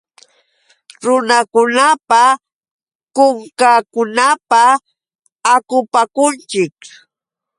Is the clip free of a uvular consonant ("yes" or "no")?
yes